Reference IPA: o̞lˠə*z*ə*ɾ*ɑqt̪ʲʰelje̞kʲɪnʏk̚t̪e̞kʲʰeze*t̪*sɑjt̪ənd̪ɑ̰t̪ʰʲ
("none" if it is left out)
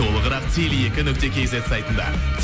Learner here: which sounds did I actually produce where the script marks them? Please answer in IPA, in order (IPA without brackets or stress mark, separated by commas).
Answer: ʁ, ɾ, t̪